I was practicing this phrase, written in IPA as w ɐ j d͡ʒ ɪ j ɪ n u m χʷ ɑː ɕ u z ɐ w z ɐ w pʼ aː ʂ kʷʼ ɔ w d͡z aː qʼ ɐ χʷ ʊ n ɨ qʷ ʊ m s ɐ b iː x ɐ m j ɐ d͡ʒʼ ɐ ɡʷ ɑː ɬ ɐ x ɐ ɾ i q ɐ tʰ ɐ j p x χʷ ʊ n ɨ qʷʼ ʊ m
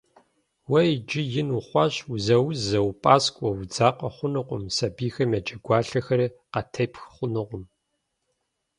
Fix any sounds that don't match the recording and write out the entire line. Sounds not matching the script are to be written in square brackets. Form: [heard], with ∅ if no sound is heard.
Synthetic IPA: w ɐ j d͡ʒ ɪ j ɪ n u [∅] χʷ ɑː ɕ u z ɐ w z ɐ w pʼ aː [s] kʷʼ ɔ w d͡z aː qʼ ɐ χʷ ʊ n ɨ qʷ ʊ m s ɐ b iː x ɐ m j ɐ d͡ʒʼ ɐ ɡʷ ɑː ɬ ɐ x ɐ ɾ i q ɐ tʰ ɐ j p x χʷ ʊ n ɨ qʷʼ ʊ m